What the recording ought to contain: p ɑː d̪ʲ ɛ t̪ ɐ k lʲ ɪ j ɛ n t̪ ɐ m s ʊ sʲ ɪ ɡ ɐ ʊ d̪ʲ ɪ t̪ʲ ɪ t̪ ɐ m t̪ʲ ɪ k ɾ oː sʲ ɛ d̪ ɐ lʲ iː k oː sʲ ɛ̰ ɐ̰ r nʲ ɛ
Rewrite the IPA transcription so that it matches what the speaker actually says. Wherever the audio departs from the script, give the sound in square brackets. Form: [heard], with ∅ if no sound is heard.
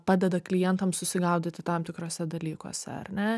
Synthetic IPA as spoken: p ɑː d̪ʲ ɛ [d̪] ɐ k lʲ ɪ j ɛ n t̪ ɐ m s ʊ sʲ ɪ ɡ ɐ ʊ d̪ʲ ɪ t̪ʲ ɪ t̪ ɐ m t̪ʲ ɪ k ɾ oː sʲ ɛ d̪ ɐ lʲ iː k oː sʲ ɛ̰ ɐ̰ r nʲ ɛ